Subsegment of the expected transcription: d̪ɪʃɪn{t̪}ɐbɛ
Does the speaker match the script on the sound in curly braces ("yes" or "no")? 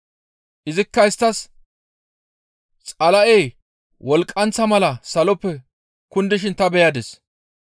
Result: yes